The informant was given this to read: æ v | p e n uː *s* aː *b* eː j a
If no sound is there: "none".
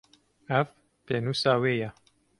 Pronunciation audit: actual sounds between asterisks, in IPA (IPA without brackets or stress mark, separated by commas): s, w